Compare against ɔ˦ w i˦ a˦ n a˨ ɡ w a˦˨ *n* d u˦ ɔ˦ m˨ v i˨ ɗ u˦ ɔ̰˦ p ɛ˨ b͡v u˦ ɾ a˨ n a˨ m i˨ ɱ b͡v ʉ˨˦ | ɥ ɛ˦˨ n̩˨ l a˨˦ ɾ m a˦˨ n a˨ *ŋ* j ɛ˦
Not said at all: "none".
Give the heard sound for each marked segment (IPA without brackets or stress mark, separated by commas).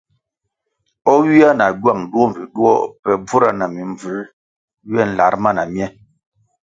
ŋ, m